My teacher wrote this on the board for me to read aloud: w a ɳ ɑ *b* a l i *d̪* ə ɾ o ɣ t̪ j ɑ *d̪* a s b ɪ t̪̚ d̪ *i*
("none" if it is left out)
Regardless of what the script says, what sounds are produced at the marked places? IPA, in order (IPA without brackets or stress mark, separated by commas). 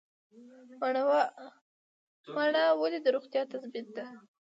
w, d̪, t̪, a